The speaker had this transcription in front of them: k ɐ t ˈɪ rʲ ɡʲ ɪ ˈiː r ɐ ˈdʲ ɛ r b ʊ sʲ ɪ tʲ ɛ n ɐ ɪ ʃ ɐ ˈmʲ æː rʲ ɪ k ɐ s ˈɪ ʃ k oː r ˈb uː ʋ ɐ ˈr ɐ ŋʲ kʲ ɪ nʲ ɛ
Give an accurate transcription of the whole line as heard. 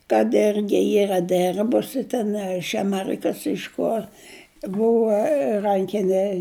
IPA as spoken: k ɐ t ˈɪ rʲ ɡʲ ɪ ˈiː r ɐ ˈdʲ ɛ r b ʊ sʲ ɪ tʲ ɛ n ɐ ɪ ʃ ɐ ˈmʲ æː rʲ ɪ k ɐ s ˈɪ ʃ k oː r ˈb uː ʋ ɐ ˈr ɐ ŋʲ kʲ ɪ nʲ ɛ